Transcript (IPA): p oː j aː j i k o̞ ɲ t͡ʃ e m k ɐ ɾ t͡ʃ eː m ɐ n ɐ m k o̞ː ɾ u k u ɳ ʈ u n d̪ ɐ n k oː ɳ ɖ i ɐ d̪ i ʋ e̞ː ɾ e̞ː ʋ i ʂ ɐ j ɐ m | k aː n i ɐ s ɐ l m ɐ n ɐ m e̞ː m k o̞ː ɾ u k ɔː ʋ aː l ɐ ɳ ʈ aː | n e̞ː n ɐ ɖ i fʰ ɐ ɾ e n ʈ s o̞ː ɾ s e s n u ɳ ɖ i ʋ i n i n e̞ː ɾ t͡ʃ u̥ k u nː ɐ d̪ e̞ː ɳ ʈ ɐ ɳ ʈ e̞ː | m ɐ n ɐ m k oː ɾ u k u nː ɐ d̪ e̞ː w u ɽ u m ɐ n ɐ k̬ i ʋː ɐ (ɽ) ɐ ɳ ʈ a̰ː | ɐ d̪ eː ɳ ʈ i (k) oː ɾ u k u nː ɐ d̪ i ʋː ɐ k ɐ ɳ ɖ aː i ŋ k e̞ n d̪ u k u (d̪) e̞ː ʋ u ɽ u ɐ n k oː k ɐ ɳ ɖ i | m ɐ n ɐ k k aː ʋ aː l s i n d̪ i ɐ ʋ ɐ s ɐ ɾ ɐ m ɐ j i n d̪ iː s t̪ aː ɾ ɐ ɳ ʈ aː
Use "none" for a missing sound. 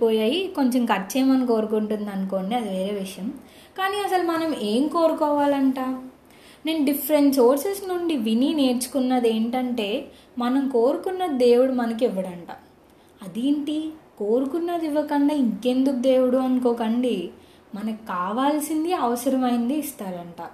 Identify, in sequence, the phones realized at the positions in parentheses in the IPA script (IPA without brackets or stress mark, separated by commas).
ɽ, k, d̪